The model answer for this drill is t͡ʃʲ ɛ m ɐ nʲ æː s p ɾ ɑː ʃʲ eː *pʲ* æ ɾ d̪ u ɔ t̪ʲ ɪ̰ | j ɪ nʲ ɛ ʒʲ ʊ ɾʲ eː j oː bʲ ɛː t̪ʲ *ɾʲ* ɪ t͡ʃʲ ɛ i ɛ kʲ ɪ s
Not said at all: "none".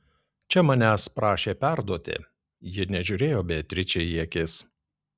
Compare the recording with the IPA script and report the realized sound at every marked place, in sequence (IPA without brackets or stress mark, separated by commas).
pʲ, ɾʲ